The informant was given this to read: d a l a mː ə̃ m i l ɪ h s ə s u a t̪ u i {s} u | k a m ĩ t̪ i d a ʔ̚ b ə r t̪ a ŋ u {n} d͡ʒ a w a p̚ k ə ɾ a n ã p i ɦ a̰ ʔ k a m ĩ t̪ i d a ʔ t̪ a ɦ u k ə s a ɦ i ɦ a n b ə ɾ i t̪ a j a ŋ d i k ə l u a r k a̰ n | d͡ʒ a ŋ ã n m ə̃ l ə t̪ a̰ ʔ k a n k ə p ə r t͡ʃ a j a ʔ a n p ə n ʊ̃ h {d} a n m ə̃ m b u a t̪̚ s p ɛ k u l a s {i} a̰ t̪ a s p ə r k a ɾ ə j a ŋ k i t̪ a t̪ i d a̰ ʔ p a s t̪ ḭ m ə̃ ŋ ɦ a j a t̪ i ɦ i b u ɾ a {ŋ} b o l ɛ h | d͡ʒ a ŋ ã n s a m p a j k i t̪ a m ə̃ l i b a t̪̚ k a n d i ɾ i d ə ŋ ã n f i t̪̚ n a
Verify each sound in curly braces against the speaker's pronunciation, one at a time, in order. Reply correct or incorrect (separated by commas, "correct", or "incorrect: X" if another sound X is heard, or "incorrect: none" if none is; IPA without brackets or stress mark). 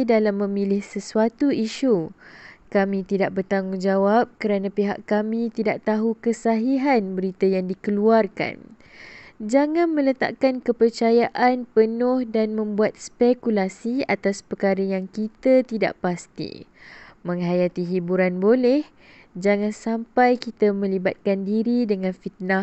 incorrect: ʃ, incorrect: ŋ, correct, correct, incorrect: n